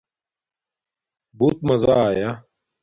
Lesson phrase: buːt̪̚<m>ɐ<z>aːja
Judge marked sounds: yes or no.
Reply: yes, yes

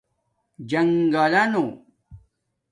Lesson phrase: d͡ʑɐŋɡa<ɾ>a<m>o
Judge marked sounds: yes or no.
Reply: no, no

